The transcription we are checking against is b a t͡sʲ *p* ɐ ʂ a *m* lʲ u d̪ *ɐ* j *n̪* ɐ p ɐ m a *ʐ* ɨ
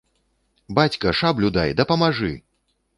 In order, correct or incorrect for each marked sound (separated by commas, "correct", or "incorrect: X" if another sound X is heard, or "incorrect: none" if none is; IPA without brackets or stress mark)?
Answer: incorrect: k, incorrect: b, incorrect: a, incorrect: d̪, correct